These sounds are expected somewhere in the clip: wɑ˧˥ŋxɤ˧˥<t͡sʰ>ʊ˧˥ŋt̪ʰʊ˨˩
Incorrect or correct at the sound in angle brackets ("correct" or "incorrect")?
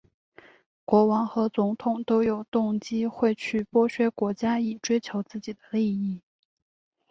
incorrect